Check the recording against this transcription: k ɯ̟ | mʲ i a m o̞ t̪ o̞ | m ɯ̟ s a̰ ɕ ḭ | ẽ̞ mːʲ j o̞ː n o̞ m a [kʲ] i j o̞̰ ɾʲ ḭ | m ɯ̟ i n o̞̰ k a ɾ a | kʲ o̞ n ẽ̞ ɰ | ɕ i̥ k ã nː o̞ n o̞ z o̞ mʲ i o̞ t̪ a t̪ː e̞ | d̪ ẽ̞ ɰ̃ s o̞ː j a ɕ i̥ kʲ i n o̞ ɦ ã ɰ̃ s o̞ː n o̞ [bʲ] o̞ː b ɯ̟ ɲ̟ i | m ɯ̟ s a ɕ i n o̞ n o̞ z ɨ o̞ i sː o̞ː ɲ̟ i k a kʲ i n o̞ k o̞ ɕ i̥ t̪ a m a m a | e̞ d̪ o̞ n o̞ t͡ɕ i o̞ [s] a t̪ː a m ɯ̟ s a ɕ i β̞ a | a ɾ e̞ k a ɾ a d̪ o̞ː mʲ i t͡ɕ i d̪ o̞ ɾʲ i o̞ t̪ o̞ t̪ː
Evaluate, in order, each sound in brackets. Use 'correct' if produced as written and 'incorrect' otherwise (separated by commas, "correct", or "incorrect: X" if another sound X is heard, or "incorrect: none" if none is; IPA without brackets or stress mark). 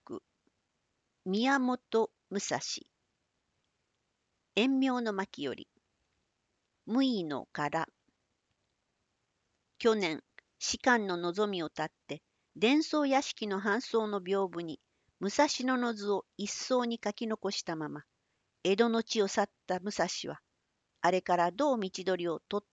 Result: correct, correct, correct